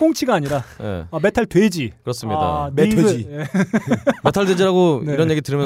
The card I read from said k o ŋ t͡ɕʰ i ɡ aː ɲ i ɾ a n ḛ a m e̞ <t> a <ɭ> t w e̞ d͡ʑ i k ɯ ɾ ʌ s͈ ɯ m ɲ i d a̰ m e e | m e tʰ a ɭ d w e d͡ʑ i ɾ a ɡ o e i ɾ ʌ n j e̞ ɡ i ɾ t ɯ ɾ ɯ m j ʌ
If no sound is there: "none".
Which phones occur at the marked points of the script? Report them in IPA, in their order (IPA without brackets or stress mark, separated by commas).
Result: tʰ, ɭ